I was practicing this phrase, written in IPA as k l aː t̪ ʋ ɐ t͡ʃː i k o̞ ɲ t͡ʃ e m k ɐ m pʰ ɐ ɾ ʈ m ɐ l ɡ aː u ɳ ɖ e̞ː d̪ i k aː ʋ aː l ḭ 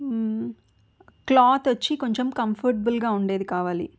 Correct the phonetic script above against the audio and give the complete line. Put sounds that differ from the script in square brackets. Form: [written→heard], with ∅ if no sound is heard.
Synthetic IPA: k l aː t̪ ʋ ɐ t͡ʃː i k o̞ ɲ t͡ʃ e m k ɐ m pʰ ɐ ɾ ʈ [m→b] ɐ l ɡ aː u ɳ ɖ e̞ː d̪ i k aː ʋ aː l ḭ